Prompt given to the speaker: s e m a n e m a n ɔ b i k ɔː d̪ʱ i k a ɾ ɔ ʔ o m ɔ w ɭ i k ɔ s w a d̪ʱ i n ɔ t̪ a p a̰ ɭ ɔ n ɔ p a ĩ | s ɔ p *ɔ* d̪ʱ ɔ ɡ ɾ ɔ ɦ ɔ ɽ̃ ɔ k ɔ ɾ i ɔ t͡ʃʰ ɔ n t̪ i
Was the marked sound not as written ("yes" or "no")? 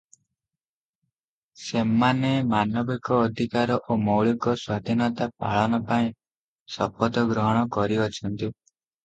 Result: no